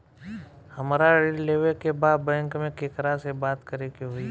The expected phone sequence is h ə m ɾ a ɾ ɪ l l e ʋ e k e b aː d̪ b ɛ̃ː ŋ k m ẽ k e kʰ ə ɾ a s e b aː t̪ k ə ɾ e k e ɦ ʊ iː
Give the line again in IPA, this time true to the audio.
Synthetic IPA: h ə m ɾ a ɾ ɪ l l e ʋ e k e b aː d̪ b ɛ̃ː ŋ k m ẽ k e k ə ɾ a s e b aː t̪ k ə ɾ e k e ɦ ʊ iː